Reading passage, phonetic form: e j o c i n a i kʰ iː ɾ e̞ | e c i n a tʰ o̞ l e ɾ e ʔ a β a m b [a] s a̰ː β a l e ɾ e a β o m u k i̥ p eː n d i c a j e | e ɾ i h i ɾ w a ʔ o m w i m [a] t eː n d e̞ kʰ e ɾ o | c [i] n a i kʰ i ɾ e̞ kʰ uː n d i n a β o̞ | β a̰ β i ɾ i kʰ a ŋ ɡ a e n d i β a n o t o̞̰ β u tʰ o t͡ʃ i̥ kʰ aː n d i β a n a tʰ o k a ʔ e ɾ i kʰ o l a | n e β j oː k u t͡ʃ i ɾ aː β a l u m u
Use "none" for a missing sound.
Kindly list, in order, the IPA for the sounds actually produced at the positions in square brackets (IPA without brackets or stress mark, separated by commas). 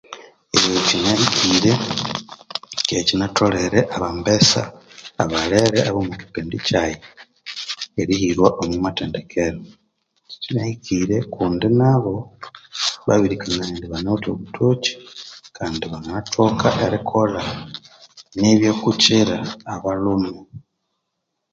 e, a, i